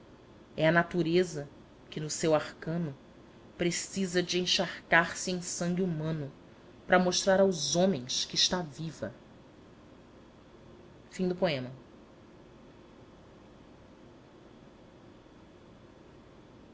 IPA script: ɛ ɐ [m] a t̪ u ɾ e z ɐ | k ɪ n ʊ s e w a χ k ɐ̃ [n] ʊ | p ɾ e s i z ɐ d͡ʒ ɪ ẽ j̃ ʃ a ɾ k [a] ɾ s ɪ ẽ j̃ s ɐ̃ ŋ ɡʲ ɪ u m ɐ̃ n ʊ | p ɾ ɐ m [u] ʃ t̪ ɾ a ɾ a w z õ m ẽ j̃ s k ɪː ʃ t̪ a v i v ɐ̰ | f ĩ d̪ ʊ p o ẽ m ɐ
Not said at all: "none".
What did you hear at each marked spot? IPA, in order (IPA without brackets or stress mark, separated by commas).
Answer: n, n, a, o